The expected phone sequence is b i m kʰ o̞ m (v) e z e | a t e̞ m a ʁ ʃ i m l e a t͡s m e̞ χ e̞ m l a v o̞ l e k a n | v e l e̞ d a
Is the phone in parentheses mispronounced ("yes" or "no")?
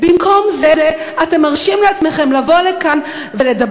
yes